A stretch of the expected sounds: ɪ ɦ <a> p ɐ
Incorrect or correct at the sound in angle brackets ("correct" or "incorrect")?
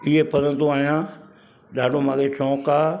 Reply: incorrect